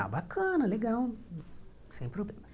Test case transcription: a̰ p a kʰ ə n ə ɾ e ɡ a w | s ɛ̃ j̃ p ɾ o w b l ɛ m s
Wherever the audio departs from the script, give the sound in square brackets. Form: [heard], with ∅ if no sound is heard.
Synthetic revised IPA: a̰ [b] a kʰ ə n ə [l] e ɡ a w | s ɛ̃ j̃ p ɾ o [∅] b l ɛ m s